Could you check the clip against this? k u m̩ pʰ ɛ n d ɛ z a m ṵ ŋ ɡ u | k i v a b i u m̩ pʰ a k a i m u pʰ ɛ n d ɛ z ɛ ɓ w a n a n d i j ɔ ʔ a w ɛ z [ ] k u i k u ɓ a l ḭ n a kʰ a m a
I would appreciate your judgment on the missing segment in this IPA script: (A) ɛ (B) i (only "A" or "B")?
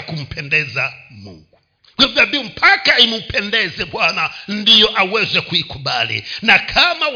A